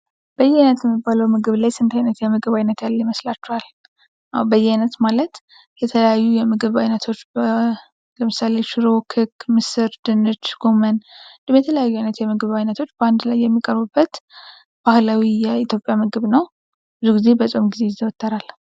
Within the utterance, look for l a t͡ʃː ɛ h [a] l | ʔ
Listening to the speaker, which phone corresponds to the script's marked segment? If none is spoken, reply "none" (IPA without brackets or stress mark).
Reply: a